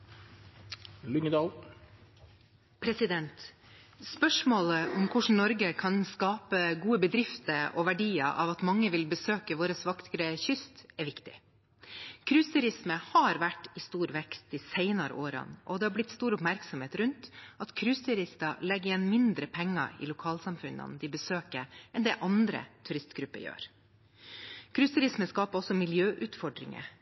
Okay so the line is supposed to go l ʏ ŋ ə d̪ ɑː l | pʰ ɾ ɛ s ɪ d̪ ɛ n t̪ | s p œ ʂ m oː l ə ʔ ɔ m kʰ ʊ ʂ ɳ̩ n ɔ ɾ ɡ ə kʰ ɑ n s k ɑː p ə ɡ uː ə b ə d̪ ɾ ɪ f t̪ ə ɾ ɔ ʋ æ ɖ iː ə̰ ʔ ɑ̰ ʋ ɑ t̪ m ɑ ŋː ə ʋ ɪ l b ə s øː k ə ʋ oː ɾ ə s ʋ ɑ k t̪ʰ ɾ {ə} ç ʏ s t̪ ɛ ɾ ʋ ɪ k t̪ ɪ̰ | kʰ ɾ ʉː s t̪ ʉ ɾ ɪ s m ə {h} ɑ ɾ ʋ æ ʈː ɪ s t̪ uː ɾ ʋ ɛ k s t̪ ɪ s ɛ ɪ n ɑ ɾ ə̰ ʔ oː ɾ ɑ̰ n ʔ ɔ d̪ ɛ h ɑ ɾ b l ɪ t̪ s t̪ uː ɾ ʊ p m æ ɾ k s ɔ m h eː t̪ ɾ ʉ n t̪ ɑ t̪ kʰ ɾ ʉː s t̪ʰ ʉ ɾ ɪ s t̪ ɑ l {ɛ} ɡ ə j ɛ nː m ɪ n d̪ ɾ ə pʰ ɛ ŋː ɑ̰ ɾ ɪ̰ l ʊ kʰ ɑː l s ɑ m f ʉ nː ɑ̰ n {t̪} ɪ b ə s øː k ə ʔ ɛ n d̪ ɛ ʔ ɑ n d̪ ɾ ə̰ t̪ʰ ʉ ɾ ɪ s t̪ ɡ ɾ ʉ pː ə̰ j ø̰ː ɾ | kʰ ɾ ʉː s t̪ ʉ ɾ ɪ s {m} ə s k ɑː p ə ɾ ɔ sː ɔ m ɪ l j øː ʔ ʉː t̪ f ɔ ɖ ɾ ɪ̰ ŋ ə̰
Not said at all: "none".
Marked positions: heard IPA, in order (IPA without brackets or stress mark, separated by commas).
ə, h, ɛ, d̪, m